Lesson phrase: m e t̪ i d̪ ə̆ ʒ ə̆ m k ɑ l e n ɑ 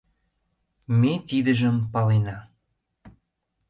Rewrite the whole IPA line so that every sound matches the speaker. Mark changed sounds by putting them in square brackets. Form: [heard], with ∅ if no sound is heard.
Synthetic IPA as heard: m e t̪ i d̪ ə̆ ʒ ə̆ m [p] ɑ l e n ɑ

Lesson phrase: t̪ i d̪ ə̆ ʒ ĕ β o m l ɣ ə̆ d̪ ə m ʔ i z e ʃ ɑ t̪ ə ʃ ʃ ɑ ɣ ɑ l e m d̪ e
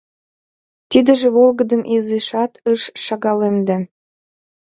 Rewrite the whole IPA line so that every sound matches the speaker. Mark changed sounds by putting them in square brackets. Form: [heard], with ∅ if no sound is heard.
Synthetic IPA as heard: t̪ i d̪ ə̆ ʒ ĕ β o [∅] l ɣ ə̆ d̪ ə m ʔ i z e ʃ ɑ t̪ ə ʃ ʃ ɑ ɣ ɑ l e m d̪ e

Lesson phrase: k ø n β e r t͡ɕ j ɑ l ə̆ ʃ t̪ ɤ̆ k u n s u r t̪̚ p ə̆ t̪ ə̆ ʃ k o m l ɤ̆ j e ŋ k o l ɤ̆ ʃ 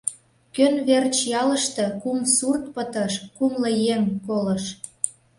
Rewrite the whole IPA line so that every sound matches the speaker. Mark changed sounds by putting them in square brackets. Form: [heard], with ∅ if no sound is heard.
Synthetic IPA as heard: k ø n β e r t͡ɕ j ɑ l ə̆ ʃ t̪ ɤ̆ k u [m] s u r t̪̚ p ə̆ t̪ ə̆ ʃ k [u] m l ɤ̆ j e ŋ k o l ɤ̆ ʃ

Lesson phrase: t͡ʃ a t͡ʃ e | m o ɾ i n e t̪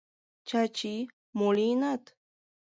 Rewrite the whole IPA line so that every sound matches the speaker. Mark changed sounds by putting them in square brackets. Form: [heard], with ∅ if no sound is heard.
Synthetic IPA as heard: t͡ʃ a t͡ʃ [i] | m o [l] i n [a] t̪

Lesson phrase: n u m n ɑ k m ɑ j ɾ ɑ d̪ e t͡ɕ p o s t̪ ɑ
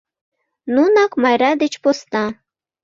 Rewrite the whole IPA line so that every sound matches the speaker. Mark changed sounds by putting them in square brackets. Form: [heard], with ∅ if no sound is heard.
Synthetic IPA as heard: n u [∅] n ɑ k m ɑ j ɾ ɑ d̪ e t͡ɕ p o s t̪ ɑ

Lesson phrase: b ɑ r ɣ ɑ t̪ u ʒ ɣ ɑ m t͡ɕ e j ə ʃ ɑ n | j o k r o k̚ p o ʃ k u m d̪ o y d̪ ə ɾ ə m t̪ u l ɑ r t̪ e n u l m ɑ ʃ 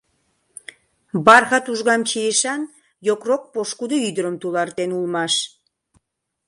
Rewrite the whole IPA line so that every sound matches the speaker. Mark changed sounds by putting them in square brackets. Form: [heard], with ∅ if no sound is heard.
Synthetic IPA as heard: b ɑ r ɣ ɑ t̪ u ʒ ɣ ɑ m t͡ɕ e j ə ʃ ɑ n | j o k r o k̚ p o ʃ k u [∅] d̪ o y d̪ ə ɾ ə m t̪ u l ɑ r t̪ e n u l m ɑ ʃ

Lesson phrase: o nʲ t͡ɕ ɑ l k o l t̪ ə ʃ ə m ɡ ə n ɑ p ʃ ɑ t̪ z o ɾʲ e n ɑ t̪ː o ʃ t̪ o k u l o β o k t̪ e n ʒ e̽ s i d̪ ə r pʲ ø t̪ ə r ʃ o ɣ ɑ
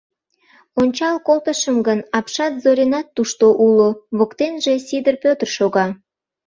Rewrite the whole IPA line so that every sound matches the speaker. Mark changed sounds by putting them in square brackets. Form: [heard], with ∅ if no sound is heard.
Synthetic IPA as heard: o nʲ t͡ɕ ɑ l k o l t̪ ə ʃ ə m ɡ ə n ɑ p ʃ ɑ t̪ z o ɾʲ e n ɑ t̪ː [u] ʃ t̪ o [ʔ] u l o β o k t̪ e n ʒ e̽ s i d̪ ə r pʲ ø t̪ ə r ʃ o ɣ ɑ

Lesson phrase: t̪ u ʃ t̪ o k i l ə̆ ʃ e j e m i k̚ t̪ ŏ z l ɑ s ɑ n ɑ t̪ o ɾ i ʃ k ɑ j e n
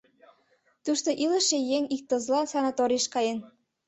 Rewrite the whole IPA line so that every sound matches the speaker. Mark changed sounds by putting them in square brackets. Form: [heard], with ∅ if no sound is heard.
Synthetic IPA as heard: t̪ u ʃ t̪ o [ʔ] i l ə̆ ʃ e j e [ŋ] i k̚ t̪ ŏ z l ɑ s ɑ n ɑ t̪ o ɾ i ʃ k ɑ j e n

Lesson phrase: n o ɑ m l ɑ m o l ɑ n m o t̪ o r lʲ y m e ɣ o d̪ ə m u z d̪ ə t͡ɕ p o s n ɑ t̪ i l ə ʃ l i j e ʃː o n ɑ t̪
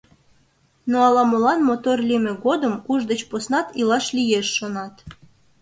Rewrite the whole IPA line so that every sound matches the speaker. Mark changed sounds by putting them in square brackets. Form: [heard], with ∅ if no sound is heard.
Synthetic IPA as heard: n o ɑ [∅] l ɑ m o l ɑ n m o t̪ o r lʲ [i] m e ɣ o d̪ ə m u [ʒ] d̪ ə t͡ɕ p o s n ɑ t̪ i l [ɑ] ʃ l i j e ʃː o n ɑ t̪

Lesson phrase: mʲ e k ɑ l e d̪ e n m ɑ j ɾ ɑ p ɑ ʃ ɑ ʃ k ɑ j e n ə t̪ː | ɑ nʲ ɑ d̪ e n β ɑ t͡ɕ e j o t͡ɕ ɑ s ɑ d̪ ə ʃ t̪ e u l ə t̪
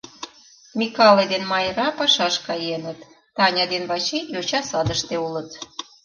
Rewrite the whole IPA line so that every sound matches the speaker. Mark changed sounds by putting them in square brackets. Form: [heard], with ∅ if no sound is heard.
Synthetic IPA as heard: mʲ [i] k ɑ l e d̪ e n m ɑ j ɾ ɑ p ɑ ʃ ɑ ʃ k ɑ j e n ə t̪ː | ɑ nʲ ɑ d̪ e n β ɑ t͡ɕ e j o t͡ɕ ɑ s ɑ d̪ ə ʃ t̪ e u l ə t̪

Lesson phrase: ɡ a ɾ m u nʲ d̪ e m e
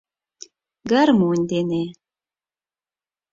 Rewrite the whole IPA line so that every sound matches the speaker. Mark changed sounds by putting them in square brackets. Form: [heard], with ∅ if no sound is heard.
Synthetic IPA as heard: ɡ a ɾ m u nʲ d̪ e [n] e

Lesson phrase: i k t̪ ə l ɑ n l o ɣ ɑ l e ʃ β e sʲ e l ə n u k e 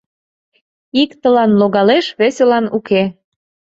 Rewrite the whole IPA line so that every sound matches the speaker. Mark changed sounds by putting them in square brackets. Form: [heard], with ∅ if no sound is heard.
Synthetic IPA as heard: i k t̪ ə l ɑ n l o ɣ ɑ l e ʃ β e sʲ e l [ɑ] n u k e

